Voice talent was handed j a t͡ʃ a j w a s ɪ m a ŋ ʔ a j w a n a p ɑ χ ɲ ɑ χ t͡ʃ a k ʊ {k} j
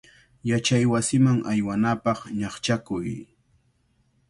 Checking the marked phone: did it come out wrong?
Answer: yes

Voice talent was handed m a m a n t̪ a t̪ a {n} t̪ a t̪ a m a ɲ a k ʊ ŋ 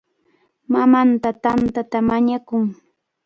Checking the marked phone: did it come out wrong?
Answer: no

